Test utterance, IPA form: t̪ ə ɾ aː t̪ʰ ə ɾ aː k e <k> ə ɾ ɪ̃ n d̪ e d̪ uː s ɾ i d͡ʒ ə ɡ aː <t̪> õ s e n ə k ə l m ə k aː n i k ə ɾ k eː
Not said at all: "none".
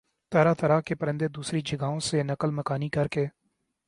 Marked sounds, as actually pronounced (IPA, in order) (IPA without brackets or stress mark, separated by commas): p, none